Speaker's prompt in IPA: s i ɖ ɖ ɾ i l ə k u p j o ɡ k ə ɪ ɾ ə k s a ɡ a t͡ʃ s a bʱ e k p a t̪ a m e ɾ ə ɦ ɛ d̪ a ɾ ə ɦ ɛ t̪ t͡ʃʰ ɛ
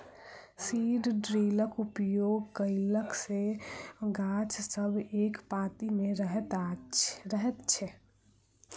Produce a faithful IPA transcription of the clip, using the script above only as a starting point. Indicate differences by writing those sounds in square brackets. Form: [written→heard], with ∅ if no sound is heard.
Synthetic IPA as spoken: s i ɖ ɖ ɾ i l ə k u p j o ɡ k ə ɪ [ɾ→l] ə k s [a→e] ɡ a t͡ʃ s [a→ə] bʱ e k p a t̪ [a→i] m e ɾ ə ɦ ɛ [d̪→t̪] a ɾ ə ɦ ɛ t̪ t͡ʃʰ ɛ

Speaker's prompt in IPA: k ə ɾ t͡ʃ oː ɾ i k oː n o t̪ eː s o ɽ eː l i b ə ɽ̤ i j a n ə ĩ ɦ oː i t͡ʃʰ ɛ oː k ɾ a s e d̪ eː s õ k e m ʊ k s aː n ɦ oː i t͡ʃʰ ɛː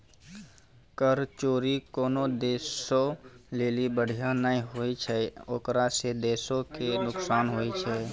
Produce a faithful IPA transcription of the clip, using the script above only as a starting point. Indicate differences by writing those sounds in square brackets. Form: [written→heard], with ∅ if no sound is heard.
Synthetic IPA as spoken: k ə ɾ t͡ʃ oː ɾ i k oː n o [t̪→d̪] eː s o [ɽ→l] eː l i b ə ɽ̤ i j a n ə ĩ ɦ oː i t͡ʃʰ ɛ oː k ɾ a s e d̪ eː s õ k e [m→n] ʊ k s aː n ɦ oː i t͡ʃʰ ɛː

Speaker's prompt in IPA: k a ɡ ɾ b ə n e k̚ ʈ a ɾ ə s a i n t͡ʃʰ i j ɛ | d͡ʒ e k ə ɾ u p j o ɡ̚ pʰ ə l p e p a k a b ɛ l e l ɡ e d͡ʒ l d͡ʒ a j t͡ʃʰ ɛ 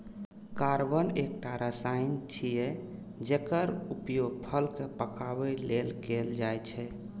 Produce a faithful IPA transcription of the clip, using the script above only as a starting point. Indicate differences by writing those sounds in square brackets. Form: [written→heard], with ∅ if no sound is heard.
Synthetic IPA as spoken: k a [ɡ→∅] ɾ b ə n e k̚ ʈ a ɾ ə s a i n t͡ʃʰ i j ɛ | d͡ʒ e k ə ɾ u p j o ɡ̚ pʰ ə l [p→k] e p [a→ə] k a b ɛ l e l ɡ e [d͡ʒ→∅] l d͡ʒ a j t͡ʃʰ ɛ

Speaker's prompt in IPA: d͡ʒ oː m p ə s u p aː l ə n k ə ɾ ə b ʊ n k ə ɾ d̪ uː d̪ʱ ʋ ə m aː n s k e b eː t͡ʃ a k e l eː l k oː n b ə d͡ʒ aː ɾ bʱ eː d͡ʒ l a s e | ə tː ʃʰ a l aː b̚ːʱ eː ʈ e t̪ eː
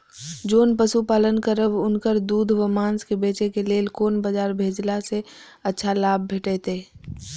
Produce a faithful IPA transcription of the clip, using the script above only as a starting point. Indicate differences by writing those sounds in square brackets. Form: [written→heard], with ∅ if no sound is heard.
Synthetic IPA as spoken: d͡ʒ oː [m→n] p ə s u p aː l ə n k ə ɾ ə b ʊ n k ə ɾ d̪ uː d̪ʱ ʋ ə m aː n s k e b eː t͡ʃ [a→e] k e l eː l k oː n b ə d͡ʒ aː ɾ bʱ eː d͡ʒ l a s e | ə tː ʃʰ a l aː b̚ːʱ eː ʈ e t̪ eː

